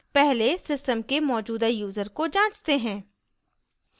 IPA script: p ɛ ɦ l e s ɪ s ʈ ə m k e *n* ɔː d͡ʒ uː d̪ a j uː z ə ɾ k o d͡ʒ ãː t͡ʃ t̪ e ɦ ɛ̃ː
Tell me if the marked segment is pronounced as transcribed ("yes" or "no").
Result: no